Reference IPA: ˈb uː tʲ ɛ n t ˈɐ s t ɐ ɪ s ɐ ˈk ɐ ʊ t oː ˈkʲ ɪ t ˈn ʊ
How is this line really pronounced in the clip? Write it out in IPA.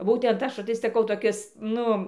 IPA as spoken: ˈb uː tʲ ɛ n t ˈɐ ʃ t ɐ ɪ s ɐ ˈk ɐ ʊ t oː ˈkʲ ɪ s ˈn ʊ

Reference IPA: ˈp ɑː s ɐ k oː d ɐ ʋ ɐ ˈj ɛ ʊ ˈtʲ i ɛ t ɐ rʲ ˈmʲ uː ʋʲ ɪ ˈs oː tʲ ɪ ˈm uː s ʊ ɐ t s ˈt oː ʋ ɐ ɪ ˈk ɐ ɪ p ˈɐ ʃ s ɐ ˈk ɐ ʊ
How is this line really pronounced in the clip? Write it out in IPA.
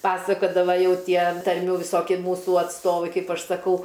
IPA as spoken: ˈp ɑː s ɐ k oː d ɐ ʋ ɐ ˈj ɛ ʊ ˈtʲ i ɛ t ɐ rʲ ˈmʲ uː ʋʲ ɪ ˈs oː kʲ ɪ ˈm uː s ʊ ɐ t s ˈt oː ʋ ɐ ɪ ˈk ɐ ɪ p ˈɐ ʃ s ɐ ˈk ɐ ʊ

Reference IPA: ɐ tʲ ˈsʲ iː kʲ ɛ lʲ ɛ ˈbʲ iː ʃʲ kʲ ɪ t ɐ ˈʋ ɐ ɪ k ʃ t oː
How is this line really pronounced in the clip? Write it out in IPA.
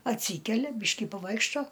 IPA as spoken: ɐ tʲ ˈsʲ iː kʲ ɛ lʲ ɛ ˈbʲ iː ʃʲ kʲ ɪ p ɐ ˈʋ ɐ ɪ k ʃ t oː

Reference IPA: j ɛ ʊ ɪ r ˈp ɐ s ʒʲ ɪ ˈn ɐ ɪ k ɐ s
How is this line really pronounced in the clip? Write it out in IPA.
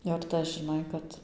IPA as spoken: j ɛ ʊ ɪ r ˈt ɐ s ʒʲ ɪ ˈn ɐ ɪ k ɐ t

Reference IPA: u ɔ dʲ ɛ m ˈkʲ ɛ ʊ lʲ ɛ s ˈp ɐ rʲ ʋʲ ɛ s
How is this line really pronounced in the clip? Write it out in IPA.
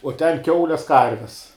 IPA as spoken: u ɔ tʲ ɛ n ˈkʲ ɛ ʊ lʲ ɛ s ˈk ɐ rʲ ʋʲ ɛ s

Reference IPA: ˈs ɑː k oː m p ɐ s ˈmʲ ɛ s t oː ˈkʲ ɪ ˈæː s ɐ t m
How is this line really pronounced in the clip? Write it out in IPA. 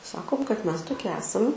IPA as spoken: ˈs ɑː k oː m k ɐ t ˈmʲ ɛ s t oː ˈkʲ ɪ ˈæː s ɐ m

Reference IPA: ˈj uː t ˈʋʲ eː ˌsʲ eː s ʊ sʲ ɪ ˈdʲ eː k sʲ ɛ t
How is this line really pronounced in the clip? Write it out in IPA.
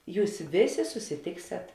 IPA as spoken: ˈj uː s ˈʋʲ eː ˌsʲ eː s ʊ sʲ ɪ ˈtʲ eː k sʲ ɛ t

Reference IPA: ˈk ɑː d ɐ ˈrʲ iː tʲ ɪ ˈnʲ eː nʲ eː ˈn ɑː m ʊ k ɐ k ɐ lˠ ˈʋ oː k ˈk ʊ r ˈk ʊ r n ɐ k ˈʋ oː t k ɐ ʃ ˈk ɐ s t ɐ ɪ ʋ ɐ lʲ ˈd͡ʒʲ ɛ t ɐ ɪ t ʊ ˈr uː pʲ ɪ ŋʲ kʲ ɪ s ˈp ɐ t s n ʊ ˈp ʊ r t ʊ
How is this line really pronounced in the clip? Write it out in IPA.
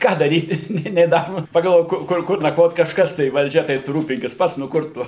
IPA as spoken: ˈk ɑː d ɐ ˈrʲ iː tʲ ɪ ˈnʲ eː nʲ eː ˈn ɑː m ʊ p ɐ ɡ ɐ lˠ ˈʋ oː k ˈk ʊ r ˈk ʊ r n ɐ k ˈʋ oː t k ɐ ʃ ˈk ɐ s t ɐ ɪ ʋ ɐ lʲ ˈd͡ʒʲ ɛ t ɐ ɪ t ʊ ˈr uː pʲ ɪ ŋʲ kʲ ɪ s ˈp ɐ t s n ʊ ˈk ʊ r t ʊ

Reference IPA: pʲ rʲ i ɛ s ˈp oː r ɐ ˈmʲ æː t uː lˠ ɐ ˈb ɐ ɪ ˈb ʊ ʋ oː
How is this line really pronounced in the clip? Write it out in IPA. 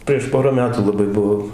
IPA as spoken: pʲ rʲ i ɛ ʃ ˈp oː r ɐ ˈmʲ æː t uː lˠ ɐ ˈb ɐ ɪ ˈb ʊ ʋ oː

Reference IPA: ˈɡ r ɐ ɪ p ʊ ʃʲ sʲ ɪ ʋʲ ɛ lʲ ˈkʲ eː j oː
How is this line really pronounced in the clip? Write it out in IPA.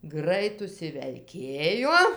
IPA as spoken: ˈɡ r ɐ ɪ t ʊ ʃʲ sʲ ɪ ʋʲ ɛ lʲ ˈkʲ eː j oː

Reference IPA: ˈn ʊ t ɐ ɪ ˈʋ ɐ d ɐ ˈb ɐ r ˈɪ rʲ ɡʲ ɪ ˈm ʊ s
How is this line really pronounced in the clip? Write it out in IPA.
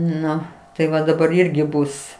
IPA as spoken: ˈn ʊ t ɐ ɪ ˈʋ ɐ d ɐ ˈb ɐ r ˈɪ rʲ ɡʲ ɪ ˈb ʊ s

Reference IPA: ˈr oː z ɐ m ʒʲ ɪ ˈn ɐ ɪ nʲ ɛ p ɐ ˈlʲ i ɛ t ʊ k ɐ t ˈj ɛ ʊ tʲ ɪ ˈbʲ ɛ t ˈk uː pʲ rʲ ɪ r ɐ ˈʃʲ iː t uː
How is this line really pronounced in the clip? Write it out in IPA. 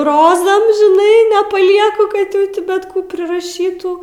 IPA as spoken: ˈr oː z ɐ m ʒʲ ɪ ˈn ɐ ɪ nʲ ɛ p ɐ ˈlʲ i ɛ k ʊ k ɐ t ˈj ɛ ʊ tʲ ɪ ˈbʲ ɛ t ˈk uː pʲ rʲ ɪ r ɐ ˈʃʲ iː t uː

